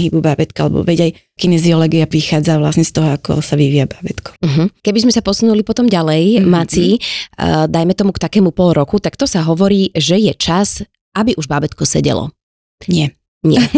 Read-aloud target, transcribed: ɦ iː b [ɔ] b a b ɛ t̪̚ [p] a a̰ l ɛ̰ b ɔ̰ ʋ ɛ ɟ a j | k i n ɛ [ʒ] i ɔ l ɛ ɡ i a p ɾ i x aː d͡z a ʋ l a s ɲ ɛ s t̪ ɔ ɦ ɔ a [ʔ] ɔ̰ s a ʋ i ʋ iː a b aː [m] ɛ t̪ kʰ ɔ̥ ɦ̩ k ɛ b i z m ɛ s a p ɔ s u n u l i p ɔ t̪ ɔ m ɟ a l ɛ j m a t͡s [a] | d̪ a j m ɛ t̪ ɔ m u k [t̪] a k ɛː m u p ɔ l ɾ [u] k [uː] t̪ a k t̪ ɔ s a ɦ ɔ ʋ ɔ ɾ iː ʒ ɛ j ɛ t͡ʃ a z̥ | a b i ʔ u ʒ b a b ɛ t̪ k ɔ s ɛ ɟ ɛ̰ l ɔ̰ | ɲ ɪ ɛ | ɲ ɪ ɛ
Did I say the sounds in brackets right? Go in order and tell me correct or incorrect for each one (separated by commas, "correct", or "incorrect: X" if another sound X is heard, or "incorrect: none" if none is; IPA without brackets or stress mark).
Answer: incorrect: u, incorrect: k, incorrect: z, incorrect: k, incorrect: b, incorrect: i, correct, incorrect: ɔ, incorrect: u